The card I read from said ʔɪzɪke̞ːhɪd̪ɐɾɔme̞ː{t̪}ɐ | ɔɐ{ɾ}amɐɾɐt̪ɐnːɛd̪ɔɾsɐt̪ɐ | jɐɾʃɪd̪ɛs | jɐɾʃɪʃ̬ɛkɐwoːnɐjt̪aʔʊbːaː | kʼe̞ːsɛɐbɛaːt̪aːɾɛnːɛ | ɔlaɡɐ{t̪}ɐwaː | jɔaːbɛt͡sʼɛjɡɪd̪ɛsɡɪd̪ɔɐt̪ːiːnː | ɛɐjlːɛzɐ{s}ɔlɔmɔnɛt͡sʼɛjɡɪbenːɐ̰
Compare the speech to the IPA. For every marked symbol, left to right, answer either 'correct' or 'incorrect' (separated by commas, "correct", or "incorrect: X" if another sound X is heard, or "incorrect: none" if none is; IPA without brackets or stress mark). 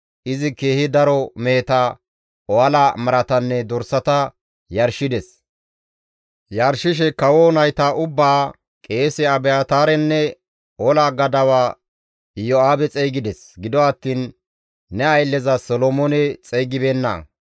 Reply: correct, incorrect: l, incorrect: d̪, correct